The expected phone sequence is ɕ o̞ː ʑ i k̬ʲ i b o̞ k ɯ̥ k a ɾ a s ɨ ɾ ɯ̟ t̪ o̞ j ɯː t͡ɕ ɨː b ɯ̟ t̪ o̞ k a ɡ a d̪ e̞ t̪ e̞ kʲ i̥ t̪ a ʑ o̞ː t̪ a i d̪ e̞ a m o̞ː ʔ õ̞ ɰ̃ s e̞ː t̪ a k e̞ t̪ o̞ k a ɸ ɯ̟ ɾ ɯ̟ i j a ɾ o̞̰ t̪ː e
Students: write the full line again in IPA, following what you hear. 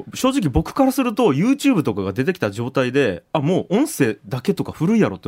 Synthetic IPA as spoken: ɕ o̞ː ʑ i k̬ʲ i b o̞ k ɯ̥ k a ɾ a s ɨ ɾ ɯ̟ t̪ o̞ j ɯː t͡ɕ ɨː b ɯ̟ t̪ o̞ k a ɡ a d̪ e̞ t̪ e̞ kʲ i̥ t̪ a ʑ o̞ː t̪ a i d̪ e̞ a m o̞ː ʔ õ̞ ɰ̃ s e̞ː d̪ a k e̞ t̪ o̞ k a ɸ ɯ̟ ɾ ɯ̟ i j a ɾ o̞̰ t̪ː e